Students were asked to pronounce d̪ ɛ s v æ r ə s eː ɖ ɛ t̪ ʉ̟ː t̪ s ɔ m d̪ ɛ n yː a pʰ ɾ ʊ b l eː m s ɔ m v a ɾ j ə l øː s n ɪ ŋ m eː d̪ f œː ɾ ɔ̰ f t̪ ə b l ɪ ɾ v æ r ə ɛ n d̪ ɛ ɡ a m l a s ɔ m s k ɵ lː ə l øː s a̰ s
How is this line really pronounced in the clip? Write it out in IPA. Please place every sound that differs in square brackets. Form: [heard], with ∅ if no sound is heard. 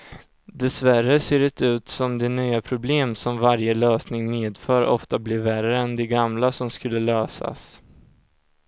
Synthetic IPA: d̪ ɛ s v æ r ə s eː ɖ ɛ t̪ ʉ̟ː t̪ s ɔ m d̪ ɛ n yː a pʰ ɾ ʊ b l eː m s ɔ m v a ɾ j ə l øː s n ɪ ŋ m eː d̪ f œː ɾ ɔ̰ f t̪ [a] b l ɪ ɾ v æ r ə ɛ n d̪ ɛ ɡ a m l a s ɔ m s k ɵ lː ə l øː s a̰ s